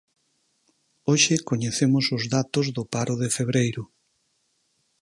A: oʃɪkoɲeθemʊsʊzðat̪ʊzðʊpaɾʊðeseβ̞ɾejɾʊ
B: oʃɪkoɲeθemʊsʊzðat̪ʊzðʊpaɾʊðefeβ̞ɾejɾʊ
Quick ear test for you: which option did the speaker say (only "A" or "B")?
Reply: B